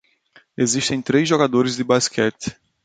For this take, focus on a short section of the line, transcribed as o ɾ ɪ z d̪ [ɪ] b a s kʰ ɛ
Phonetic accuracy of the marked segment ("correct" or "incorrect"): correct